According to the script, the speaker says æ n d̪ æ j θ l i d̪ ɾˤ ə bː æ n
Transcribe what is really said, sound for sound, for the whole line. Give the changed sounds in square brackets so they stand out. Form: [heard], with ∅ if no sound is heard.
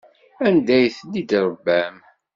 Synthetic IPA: æ n d̪ æ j θ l i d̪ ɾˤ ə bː æ [m]